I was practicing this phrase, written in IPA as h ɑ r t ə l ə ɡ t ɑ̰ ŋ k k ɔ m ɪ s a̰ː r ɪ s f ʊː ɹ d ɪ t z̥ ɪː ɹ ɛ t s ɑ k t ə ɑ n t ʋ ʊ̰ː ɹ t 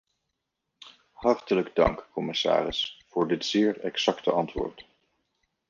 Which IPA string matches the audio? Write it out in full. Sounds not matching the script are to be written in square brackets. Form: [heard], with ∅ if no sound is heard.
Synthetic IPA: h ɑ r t ə l ə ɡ [d] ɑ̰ ŋ k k ɔ m ɪ s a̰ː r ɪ s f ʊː ɹ d ɪ t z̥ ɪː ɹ ɛ [k] s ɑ k t ə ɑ n t ʋ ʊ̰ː ɹ t

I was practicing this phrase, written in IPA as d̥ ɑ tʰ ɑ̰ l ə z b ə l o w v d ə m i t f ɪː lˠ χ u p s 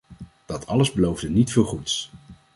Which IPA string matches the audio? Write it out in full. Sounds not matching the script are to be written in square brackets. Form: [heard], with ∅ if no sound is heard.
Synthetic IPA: d̥ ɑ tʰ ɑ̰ l ə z b ə l o w v d ə [n] i t f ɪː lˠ χ u [t] s

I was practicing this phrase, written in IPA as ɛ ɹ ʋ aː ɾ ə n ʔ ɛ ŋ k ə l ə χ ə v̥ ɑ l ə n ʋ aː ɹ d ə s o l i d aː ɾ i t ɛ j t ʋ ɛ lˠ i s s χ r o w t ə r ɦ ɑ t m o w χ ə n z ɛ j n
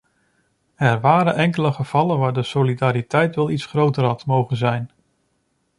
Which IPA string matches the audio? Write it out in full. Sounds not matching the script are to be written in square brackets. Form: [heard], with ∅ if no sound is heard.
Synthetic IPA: ɛ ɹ ʋ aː ɾ ə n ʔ ɛ ŋ k ə l ə χ ə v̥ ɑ l ə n ʋ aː ɹ d ə s o l i d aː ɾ i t ɛ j t ʋ ɛ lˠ i [t] s χ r o w t ə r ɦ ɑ t m o w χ ə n z ɛ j n

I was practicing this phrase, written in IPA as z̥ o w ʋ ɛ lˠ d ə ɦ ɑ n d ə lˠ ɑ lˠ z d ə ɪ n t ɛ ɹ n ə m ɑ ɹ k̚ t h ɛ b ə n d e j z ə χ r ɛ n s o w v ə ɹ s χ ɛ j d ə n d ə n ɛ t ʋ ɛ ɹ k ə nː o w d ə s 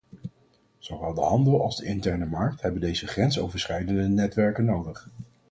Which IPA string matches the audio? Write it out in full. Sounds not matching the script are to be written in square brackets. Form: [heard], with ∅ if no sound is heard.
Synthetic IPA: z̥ o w ʋ ɛ lˠ d ə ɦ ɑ n d ə lˠ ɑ lˠ z d ə ɪ n t ɛ ɹ n ə m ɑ ɹ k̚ t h ɛ b ə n d e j z ə χ r ɛ n s o w v ə ɹ s χ ɛ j d ə n d ə n ɛ t ʋ ɛ ɹ k ə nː o w d ə [χ]

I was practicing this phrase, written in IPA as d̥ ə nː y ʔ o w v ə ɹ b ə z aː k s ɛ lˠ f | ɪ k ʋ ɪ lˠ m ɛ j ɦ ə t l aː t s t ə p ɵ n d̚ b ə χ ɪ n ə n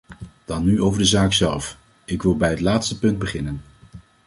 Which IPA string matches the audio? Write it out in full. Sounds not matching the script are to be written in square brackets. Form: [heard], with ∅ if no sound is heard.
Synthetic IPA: d̥ [ɑ] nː y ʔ o w v ə ɹ [d] ə z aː k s ɛ lˠ f | ɪ k ʋ ɪ lˠ [b] ɛ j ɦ ə t l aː t s t ə p ɵ n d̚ b ə χ ɪ n ə n

